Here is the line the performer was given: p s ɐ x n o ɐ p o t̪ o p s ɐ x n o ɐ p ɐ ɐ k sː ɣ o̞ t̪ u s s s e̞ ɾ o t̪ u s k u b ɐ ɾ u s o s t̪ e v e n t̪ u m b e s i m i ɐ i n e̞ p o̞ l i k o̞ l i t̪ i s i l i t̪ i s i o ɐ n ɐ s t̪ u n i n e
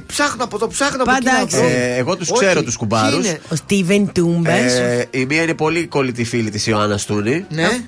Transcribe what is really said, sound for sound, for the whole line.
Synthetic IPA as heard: p s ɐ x n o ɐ p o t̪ o p s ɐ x n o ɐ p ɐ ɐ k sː ɣ o̞ t̪ u s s s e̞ ɾ o t̪ u s k u b ɐ ɾ u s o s t̪ i v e n t̪ u m b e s i m i ɐ i n e̞ p o̞ l i k o̞ l i t̪ i f i l i t̪ i s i o ɐ n ɐ s t̪ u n i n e